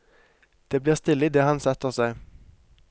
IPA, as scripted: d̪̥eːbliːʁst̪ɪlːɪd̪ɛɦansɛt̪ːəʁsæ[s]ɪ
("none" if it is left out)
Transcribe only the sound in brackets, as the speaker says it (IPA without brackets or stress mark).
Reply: none